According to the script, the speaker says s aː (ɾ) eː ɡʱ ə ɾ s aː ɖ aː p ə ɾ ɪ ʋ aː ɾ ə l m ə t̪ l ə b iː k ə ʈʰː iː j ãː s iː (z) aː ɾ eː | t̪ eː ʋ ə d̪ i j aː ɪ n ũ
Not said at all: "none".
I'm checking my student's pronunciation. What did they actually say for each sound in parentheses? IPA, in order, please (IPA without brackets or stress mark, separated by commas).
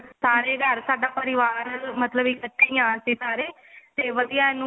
ɾ, s